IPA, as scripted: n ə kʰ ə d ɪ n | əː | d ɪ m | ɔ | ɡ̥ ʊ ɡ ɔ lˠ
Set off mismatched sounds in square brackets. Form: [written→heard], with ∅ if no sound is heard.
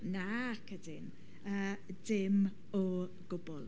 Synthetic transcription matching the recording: n [ə→a] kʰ ə d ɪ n | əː | d ɪ m | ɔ | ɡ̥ ʊ [ɡ→b] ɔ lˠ